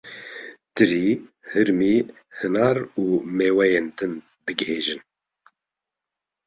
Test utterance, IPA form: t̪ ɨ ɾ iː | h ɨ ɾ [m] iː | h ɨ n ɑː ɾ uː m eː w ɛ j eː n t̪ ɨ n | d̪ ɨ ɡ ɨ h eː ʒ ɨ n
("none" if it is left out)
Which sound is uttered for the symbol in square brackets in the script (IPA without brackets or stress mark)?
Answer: m